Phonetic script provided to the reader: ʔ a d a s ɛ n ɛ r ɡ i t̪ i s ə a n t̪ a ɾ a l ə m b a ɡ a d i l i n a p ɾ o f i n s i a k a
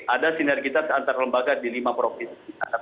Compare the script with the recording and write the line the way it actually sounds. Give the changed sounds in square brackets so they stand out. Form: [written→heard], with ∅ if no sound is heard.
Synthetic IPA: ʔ a d a s [ɛ→i] n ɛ r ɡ i t̪ [i→a] s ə a n t̪ a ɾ a l ə m b a ɡ a d i l i [n→m] a p ɾ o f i n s i a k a